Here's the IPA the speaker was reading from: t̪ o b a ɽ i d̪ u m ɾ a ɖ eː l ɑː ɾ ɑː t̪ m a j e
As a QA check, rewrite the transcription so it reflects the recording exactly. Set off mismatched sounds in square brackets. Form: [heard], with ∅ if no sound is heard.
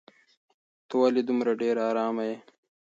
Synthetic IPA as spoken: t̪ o [w] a [l] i d̪ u m ɾ a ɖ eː [ɾ] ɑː ɾ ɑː [∅] m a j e